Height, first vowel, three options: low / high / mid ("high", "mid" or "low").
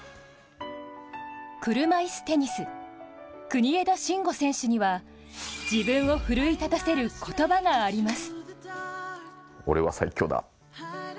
high